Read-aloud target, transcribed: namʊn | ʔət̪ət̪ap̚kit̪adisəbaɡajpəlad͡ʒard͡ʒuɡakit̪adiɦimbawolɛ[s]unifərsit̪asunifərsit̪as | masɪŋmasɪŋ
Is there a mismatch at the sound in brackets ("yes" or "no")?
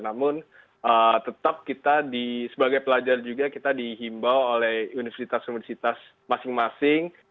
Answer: yes